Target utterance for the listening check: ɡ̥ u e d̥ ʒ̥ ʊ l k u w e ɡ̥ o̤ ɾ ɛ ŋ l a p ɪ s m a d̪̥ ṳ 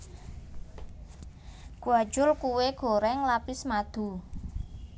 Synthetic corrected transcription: ɡ̥ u a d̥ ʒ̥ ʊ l k u w e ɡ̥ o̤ ɾ ɛ ŋ l a p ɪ s m a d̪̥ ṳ